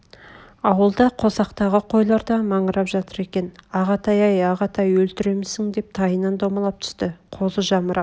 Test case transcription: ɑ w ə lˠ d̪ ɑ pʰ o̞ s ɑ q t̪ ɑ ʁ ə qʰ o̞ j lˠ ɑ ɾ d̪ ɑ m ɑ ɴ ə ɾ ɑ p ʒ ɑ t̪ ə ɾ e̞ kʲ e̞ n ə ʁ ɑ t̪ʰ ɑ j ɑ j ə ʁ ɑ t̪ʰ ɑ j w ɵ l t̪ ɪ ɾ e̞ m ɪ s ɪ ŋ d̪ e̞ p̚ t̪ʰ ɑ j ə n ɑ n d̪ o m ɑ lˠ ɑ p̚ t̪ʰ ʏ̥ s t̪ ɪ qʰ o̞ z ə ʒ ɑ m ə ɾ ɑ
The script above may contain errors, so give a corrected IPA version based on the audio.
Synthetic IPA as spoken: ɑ w ə lˠ d̪ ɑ qʰ o̞ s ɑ q t̪ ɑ ʁ ə qʰ o̞ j lˠ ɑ ɾ d̪ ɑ m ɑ ɴ ə ɾ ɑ p ʒ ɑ t̪ ə ɾ e̞ kʲ e̞ n ɑ ʁ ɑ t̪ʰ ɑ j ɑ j ɑ ʁ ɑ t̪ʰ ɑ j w ɵ l t̪ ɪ ɾ e̞ m ɪ s ɪ ŋ d̪ e̞ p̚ t̪ʰ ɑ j ə n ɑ n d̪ o m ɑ lˠ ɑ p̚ t̪ʰ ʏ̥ s t̪ ɪ qʰ o̞ z ə ʒ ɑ m ə ɾ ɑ